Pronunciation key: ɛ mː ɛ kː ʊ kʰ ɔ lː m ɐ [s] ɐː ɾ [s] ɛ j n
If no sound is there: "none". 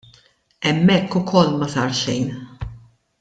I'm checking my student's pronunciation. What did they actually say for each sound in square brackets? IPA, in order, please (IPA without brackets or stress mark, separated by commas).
s, ʃ